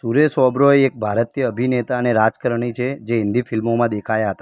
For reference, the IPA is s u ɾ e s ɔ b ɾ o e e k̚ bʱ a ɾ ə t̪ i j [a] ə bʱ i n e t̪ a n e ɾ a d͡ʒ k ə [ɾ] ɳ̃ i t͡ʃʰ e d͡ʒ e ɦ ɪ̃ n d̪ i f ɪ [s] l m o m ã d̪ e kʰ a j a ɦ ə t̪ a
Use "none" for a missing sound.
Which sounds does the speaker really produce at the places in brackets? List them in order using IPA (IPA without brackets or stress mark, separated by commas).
ə, ɾ, none